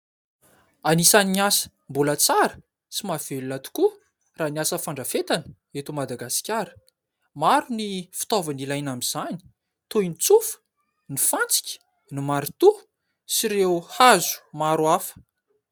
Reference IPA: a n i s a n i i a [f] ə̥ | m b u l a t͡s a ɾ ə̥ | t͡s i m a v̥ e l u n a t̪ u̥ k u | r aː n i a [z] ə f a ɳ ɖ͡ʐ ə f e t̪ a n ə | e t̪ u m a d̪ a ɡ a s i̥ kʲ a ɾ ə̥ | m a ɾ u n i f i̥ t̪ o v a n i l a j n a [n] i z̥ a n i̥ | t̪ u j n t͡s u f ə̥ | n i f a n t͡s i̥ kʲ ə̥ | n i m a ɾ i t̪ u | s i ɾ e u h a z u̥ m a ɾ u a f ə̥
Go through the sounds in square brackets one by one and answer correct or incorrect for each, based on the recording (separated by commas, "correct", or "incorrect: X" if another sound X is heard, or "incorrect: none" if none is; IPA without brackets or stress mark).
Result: incorrect: s, incorrect: s, incorrect: m